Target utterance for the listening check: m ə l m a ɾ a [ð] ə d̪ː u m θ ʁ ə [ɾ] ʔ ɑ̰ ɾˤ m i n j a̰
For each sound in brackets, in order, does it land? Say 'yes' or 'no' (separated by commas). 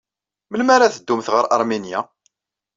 no, yes